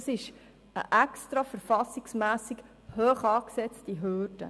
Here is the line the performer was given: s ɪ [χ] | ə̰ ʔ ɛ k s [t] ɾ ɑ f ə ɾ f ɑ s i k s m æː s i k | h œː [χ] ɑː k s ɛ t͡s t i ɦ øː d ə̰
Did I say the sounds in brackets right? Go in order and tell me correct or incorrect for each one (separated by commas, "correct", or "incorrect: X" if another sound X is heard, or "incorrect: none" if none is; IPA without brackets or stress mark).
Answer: incorrect: ʃ, correct, correct